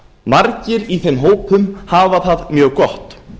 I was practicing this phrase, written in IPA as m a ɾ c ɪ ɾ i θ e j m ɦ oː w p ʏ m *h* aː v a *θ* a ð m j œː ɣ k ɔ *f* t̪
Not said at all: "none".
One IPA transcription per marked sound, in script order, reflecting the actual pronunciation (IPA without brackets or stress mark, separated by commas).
h, θ, h